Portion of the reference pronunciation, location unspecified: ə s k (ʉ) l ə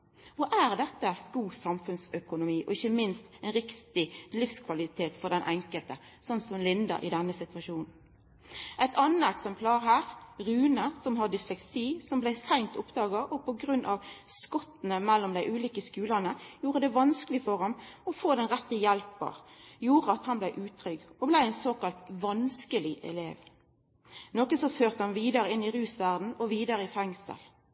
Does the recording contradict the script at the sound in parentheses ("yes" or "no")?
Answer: yes